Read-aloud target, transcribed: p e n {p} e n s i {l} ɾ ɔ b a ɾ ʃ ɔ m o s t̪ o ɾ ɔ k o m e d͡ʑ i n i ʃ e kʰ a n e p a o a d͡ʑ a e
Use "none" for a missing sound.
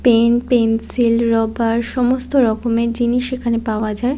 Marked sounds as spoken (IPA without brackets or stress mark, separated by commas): p, l